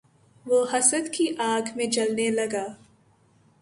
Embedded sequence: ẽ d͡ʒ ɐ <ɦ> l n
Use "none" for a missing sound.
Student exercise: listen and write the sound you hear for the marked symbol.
none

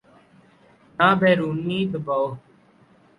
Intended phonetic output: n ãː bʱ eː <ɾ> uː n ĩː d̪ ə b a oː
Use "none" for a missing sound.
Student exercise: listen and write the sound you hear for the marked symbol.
ɾ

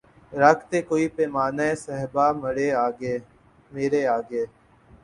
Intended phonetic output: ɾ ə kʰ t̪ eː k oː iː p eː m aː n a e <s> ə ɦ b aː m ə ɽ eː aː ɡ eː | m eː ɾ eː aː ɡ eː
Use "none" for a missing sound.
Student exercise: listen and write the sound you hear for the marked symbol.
s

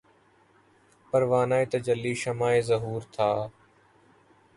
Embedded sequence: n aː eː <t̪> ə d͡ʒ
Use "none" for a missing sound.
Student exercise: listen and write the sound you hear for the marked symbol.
t̪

